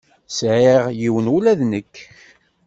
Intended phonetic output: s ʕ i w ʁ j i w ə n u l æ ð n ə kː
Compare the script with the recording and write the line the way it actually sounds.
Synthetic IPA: s ʕ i ʁ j i w ə n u l æ ð n ə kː